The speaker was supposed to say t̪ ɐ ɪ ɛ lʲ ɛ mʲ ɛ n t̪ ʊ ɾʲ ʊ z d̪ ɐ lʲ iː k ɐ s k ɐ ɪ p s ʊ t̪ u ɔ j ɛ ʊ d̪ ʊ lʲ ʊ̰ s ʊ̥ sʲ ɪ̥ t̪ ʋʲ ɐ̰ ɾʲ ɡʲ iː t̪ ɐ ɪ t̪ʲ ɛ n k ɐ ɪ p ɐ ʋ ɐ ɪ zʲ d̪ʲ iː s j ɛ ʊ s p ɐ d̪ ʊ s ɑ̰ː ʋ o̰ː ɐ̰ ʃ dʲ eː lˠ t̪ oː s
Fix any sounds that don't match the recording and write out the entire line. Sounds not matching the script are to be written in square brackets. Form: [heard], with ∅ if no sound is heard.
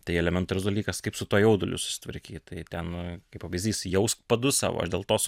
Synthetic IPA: t̪ ɐ ɪ ɛ lʲ ɛ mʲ ɛ n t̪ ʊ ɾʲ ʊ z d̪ ɐ lʲ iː k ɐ s k ɐ ɪ p s ʊ t̪ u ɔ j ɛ ʊ d̪ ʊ lʲ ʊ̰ s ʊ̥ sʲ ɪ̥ t̪ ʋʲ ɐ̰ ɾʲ [kʲ] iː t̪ ɐ ɪ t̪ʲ ɛ n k ɐ ɪ p ɐ ʋ ɐ ɪ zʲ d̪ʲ iː s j ɛ ʊ s p ɐ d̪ ʊ s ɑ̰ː ʋ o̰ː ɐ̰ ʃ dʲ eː lˠ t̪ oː s